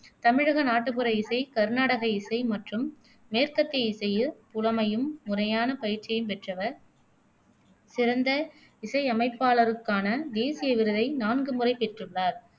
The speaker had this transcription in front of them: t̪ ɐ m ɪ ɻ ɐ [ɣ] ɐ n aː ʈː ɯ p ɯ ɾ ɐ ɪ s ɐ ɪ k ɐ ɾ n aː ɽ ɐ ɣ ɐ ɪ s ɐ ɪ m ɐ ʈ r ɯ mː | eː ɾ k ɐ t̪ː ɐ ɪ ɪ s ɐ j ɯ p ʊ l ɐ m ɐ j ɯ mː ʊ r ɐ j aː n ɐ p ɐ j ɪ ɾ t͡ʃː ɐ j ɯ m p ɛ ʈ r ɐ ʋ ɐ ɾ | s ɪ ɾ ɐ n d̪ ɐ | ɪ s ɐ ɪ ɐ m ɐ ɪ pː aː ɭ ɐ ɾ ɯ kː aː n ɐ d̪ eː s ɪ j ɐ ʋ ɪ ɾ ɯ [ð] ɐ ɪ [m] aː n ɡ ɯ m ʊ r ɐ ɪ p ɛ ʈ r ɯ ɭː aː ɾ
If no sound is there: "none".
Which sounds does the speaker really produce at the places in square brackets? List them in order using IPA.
ɣ, ð, n

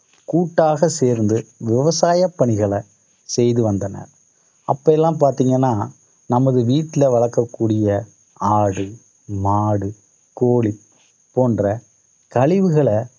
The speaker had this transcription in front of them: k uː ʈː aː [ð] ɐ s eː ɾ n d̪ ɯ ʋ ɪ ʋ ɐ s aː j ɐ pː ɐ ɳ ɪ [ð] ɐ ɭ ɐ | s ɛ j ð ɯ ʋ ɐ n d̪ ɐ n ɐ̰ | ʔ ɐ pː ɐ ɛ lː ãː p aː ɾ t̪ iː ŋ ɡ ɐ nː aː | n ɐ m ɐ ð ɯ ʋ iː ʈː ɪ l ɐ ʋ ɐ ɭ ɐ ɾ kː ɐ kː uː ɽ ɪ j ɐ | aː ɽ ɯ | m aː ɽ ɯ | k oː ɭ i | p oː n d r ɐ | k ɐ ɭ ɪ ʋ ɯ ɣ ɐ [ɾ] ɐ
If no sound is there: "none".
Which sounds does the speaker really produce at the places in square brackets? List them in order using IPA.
ɣ, ɣ, ɭ

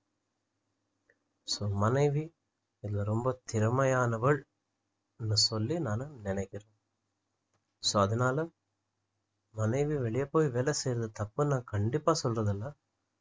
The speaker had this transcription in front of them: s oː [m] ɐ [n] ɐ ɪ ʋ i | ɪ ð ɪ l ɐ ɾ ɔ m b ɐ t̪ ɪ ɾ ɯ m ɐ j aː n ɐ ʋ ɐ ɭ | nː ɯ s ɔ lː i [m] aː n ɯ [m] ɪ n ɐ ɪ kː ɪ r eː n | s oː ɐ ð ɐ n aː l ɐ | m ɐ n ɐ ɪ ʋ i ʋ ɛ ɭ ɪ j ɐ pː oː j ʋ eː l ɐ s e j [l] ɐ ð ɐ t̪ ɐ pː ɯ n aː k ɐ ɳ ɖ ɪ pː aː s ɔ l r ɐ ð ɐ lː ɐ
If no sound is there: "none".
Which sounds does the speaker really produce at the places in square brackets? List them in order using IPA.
m, n, n, n, ɾ

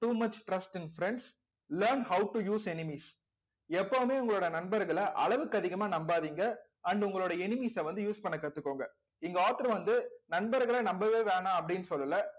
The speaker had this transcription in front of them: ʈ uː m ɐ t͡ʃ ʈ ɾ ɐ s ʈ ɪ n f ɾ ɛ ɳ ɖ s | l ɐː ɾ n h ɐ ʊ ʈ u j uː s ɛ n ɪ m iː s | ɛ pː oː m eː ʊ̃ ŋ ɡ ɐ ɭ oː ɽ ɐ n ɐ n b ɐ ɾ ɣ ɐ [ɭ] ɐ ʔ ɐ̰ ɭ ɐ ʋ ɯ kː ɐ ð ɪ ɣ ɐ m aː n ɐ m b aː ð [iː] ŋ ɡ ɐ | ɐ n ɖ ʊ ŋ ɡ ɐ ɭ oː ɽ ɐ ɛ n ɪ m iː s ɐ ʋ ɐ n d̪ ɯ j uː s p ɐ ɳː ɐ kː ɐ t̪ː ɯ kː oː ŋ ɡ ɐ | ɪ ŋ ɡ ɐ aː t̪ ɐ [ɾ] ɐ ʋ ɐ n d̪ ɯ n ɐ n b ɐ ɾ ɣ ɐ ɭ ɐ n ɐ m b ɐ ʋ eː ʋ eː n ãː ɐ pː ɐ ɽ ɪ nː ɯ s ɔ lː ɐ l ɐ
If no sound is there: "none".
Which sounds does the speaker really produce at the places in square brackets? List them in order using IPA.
ɭ, iː, ɾ

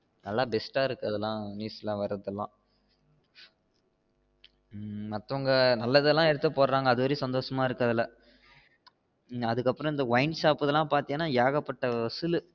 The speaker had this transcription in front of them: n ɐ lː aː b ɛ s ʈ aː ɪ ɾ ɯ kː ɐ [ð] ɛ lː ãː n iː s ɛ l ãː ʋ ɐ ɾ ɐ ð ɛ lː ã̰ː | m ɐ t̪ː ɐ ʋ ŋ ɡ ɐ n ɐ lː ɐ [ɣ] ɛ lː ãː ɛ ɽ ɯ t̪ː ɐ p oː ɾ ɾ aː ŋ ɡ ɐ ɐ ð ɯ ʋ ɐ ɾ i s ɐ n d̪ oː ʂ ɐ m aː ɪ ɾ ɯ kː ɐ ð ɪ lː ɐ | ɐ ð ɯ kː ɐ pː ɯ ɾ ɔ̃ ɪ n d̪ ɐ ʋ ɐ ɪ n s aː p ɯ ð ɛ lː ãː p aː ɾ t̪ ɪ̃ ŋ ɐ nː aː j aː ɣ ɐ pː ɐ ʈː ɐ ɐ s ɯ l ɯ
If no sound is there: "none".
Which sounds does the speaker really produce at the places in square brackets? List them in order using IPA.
ð, ð

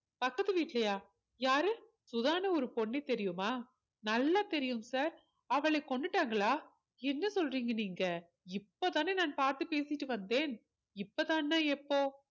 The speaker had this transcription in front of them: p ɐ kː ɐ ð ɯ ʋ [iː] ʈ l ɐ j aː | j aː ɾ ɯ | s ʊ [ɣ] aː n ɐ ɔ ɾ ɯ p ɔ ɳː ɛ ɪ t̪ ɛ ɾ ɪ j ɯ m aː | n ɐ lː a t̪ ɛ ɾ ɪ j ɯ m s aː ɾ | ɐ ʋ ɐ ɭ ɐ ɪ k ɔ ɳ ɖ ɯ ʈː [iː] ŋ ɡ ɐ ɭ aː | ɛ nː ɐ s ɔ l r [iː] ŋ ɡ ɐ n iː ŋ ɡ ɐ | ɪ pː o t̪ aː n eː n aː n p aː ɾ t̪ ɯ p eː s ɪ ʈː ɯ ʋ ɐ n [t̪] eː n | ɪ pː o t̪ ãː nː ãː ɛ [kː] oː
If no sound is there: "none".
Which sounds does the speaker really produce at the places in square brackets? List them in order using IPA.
iː, ð, aː, iː, d̪, pː

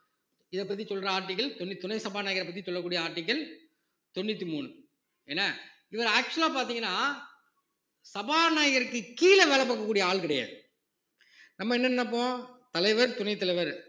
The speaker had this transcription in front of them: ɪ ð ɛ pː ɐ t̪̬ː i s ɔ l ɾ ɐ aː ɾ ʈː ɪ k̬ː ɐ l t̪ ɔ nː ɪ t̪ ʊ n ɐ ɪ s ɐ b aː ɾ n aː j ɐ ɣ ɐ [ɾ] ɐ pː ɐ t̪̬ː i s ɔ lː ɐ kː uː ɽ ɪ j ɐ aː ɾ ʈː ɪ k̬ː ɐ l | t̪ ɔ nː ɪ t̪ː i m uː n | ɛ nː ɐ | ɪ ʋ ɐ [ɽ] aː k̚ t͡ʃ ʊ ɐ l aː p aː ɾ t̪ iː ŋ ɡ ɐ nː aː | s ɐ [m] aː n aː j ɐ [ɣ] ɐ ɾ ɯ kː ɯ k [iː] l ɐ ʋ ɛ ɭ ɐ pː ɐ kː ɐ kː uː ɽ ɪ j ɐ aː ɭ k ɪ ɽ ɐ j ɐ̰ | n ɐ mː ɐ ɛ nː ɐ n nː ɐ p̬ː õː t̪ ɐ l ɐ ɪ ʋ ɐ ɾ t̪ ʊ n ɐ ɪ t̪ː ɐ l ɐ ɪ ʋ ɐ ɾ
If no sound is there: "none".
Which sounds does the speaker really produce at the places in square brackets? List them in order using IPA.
ɾ, ɾ, b, ɣ, iː

